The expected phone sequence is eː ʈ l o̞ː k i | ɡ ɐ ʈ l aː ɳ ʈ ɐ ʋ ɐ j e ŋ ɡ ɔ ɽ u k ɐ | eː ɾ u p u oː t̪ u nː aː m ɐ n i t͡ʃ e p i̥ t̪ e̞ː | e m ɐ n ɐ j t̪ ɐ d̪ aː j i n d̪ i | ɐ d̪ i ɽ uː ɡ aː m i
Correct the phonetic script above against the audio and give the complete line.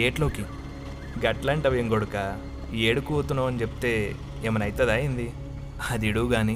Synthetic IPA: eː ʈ l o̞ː k i | ɡ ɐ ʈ l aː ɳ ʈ ɐ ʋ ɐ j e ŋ ɡ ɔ ɽ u k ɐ | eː ɽ u k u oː t̪ u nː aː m ɐ n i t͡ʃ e p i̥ t̪ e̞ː | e m ɐ n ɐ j t̪ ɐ d̪ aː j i n d̪ i | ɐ d̪ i ɽ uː ɡ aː n i